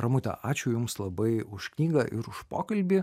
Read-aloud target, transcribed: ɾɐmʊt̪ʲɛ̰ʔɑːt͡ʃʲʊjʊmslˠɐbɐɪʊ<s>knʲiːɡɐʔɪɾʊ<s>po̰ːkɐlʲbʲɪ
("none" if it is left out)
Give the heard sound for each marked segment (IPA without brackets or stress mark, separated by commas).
ʃ, ʃ